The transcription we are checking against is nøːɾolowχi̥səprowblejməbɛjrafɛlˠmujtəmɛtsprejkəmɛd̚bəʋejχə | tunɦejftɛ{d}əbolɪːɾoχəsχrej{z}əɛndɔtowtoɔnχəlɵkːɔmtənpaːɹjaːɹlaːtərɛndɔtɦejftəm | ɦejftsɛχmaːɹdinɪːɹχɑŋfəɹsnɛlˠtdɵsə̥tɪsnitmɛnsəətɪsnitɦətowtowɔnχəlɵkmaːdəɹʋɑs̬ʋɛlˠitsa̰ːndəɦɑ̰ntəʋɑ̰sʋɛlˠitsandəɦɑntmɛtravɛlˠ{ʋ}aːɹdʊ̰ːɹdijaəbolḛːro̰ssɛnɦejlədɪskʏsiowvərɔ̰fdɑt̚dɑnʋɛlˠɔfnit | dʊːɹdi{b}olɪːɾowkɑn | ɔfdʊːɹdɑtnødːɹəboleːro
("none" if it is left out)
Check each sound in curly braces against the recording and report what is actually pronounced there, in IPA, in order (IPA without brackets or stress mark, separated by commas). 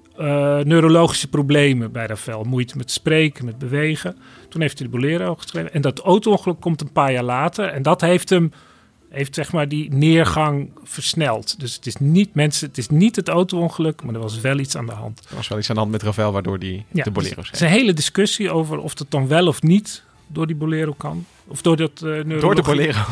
d, v, ʋ, b